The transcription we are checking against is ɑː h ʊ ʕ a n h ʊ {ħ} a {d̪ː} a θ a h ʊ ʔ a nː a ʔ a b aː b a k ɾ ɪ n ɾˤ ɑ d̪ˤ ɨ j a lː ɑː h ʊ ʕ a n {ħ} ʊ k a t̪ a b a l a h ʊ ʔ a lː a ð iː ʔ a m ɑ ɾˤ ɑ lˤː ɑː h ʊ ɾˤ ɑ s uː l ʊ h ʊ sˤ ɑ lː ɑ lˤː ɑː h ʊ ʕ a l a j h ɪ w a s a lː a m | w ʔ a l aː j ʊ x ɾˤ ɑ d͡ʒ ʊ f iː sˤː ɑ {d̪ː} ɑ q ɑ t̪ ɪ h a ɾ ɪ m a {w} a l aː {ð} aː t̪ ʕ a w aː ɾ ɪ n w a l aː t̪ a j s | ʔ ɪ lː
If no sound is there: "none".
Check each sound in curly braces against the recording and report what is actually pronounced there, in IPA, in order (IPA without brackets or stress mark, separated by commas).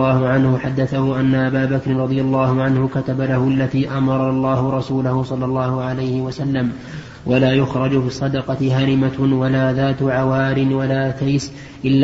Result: ħ, d̪ː, h, d̪, w, ð